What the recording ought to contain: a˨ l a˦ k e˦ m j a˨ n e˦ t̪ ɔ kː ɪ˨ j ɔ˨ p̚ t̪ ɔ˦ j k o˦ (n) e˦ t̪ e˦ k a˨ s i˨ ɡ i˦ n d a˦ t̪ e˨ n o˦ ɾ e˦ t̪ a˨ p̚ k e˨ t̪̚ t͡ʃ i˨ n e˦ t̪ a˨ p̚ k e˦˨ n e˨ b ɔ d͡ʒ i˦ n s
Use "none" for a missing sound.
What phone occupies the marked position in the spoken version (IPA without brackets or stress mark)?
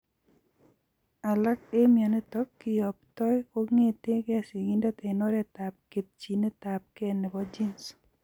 ŋ